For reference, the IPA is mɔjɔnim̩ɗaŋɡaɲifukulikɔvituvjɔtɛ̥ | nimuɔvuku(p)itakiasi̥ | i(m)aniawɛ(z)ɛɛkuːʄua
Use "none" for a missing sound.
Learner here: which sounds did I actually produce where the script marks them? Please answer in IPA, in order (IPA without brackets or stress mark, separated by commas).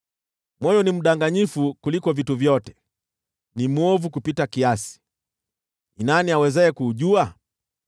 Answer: p, n, z